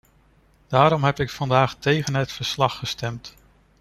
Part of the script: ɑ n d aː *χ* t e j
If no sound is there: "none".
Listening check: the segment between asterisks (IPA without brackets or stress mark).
χ